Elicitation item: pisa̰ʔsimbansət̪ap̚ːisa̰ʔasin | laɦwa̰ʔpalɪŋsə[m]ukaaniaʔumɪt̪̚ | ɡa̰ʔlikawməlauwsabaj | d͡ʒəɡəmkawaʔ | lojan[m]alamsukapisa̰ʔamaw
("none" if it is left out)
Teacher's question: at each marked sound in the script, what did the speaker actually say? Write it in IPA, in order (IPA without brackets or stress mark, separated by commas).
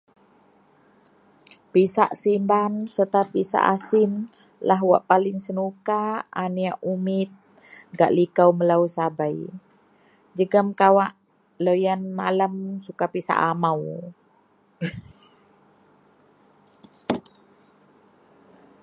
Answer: n, m